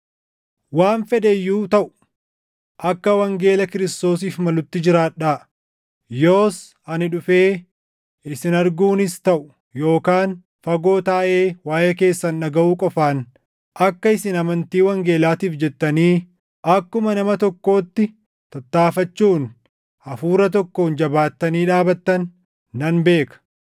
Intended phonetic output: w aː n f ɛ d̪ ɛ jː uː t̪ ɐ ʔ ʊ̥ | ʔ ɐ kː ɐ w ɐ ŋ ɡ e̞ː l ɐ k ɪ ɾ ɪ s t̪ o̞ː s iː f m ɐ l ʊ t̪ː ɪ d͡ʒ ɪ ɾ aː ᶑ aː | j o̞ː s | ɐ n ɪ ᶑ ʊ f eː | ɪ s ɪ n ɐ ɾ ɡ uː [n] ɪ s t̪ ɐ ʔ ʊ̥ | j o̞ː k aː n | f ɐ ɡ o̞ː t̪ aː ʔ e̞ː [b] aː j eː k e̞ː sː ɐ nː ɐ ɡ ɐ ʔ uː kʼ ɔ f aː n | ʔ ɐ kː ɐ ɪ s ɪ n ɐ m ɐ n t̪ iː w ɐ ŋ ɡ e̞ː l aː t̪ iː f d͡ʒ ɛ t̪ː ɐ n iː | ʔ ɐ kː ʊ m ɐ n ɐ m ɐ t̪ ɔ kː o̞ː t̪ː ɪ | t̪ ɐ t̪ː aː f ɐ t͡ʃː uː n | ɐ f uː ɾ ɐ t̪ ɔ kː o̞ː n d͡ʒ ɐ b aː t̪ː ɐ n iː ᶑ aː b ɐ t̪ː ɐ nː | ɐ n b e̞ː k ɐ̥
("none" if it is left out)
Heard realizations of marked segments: n, w

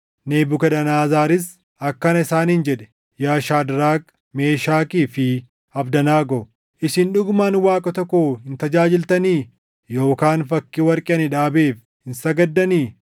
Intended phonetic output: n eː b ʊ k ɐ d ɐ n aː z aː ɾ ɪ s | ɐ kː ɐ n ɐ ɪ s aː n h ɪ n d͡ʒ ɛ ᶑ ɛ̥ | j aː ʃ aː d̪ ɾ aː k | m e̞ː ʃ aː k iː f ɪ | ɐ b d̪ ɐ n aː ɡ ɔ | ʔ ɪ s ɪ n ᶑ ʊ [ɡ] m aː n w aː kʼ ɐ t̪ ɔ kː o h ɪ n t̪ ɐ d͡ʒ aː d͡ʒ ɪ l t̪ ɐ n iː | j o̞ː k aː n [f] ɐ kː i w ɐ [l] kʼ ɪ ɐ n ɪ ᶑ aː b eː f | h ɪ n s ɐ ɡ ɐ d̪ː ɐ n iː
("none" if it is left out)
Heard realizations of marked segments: ɡ, f, ɾ

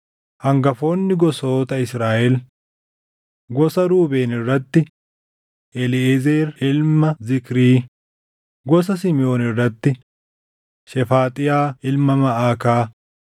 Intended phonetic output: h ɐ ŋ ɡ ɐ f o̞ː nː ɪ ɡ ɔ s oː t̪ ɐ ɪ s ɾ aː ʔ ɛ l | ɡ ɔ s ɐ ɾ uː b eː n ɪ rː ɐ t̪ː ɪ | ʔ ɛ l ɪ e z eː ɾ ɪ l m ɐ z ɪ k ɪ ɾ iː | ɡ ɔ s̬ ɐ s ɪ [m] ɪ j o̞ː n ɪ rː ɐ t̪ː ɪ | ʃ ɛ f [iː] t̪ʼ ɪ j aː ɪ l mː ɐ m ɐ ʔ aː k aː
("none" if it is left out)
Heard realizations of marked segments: m, aː

